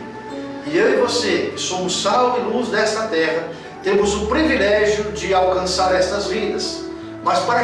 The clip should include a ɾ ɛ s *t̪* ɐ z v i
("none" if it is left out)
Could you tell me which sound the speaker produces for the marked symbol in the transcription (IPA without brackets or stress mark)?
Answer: t̪